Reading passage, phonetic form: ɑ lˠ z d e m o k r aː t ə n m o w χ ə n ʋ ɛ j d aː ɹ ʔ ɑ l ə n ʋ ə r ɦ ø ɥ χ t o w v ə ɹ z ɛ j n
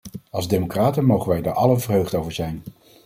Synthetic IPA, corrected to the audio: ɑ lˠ z d e m o k r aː t ə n m o w χ ə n ʋ ɛ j d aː ɹ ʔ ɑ l ə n v ə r ɦ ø ɥ χ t o w v ə ɹ z ɛ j n